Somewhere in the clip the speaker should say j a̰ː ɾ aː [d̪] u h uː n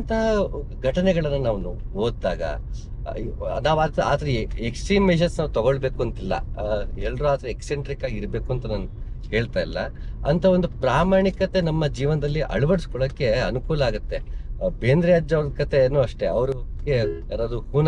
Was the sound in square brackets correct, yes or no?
yes